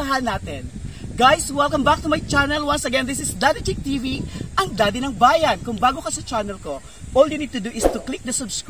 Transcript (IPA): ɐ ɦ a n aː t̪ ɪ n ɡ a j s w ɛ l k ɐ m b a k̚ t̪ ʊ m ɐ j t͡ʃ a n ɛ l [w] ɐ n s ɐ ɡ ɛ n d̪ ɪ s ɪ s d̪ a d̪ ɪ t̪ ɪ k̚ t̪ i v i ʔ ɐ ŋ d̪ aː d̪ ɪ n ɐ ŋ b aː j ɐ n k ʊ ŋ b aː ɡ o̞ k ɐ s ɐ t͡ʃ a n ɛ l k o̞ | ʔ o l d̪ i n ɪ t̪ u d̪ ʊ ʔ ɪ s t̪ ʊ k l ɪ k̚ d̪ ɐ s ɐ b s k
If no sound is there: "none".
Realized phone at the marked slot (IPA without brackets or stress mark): w